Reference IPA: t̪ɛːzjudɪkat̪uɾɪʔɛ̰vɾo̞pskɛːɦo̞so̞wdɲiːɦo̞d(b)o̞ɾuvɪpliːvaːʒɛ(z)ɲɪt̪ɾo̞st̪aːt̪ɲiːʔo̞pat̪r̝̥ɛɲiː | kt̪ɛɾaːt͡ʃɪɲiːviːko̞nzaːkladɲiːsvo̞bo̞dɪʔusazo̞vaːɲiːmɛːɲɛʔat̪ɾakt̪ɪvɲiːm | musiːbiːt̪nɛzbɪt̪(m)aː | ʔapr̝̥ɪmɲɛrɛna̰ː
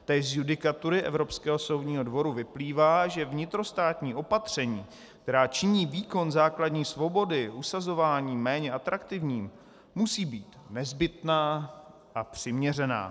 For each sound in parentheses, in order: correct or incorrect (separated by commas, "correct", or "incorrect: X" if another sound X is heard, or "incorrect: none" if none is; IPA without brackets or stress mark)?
incorrect: v, incorrect: v, incorrect: n